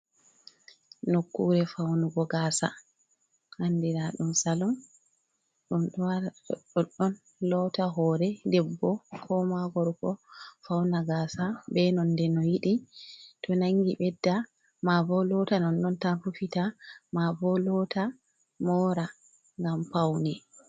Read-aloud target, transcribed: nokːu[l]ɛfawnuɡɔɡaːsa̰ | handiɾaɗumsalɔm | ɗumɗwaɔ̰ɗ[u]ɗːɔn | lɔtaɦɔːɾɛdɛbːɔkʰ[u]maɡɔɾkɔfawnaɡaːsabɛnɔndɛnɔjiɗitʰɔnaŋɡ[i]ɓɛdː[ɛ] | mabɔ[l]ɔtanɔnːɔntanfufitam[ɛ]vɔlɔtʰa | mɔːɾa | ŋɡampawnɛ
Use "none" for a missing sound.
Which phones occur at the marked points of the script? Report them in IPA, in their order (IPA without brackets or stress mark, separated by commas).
ɾ, ɔ, ɔ, i, a, l, a